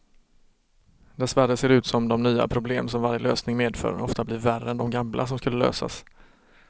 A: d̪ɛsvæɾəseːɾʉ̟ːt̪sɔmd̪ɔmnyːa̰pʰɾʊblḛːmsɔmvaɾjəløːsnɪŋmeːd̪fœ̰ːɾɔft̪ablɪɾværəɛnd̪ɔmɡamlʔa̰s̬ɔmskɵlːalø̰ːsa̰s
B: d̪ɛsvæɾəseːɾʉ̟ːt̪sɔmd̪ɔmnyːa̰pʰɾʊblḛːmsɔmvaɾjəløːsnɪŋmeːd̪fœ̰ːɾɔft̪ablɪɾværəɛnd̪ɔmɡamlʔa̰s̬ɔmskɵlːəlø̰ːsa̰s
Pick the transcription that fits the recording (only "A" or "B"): B